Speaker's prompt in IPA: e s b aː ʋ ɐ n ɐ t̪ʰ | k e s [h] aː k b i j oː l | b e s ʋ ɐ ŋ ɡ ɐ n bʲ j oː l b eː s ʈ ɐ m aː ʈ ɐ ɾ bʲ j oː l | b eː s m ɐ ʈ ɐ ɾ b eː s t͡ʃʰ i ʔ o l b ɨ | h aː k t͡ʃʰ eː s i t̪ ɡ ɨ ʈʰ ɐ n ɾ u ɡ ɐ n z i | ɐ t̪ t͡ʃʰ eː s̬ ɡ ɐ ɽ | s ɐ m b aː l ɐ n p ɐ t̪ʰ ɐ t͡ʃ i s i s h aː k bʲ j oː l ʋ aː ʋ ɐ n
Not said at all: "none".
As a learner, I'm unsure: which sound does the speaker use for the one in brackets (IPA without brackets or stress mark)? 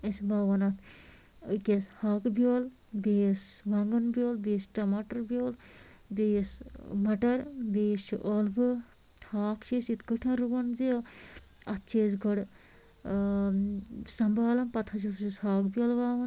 h